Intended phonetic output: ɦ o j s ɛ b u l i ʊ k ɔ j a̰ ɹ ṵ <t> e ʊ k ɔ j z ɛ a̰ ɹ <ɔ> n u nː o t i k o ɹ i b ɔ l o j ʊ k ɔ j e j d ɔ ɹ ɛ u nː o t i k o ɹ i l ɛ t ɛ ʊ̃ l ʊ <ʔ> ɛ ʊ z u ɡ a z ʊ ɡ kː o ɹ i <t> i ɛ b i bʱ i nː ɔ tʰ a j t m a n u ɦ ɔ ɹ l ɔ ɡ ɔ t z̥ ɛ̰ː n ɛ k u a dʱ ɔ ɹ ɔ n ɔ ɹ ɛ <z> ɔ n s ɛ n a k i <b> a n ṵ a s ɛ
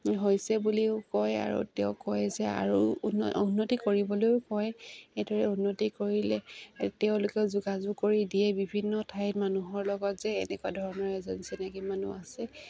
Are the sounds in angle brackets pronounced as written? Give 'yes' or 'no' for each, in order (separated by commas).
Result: yes, no, no, no, yes, no